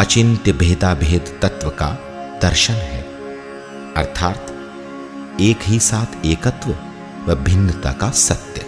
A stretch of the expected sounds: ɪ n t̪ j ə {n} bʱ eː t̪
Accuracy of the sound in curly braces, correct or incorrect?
incorrect